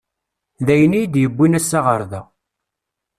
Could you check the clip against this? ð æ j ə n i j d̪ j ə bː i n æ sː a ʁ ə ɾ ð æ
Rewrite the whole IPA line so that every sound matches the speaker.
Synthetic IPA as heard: ð æ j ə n i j d̪ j ə bː i n æ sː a ʁ ə ɾ ð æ